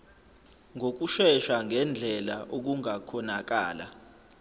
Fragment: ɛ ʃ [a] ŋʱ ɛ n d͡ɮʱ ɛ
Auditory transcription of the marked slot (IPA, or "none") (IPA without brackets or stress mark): a